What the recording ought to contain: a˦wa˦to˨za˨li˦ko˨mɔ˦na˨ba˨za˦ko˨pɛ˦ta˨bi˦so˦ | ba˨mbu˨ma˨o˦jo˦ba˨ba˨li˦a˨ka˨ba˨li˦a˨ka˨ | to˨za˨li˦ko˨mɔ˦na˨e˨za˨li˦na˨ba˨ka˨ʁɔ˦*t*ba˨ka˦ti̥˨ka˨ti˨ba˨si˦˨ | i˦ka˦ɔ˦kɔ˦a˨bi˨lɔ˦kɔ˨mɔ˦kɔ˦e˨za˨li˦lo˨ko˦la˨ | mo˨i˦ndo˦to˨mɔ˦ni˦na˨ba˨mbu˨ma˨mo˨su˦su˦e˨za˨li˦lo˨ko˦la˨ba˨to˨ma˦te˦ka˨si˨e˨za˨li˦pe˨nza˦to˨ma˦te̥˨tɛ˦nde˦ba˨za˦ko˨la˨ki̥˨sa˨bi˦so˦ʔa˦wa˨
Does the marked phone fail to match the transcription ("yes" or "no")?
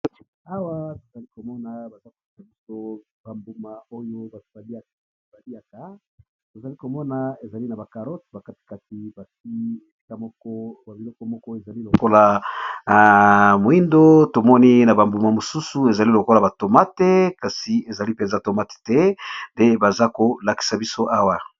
no